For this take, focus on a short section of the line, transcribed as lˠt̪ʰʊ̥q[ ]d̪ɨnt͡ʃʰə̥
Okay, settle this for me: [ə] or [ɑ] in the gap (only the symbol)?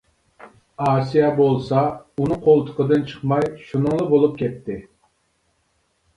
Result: ə